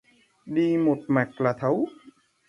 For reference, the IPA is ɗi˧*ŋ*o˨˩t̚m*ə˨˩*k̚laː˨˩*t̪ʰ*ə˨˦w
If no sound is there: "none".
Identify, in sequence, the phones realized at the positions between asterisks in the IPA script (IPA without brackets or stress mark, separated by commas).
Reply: m, a˨˩, t̪ʰ